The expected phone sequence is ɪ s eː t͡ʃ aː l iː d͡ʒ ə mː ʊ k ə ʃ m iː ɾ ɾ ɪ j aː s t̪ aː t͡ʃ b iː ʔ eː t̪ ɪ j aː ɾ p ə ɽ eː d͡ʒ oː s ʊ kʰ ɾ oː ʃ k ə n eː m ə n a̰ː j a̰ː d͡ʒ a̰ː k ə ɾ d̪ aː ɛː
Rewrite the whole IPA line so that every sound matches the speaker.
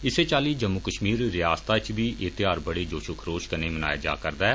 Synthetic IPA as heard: ɪ s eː t͡ʃ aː l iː d͡ʒ ə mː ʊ k ə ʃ m iː ɾ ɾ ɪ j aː s t̪ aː t͡ʃ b iː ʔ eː t̪ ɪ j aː ɾ b ə ɽ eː d͡ʒ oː ʃ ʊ kʰ ɾ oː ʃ k ə n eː m ə n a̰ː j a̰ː d͡ʒ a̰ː k ə ɾ d̪ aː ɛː